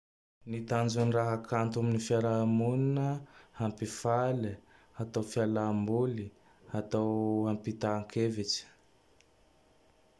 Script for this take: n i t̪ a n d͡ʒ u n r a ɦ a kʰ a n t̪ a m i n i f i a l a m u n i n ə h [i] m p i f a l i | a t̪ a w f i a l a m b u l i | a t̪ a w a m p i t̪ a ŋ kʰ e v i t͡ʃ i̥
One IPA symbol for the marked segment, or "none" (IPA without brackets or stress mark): a